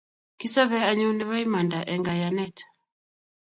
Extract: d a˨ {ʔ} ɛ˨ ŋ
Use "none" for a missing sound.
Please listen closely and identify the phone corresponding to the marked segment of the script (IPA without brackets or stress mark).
ʔ